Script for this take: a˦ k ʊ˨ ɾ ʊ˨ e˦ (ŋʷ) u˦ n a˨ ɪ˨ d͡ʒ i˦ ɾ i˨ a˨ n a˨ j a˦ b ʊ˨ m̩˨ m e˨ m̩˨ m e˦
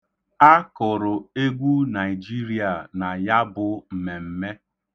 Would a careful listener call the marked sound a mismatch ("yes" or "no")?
yes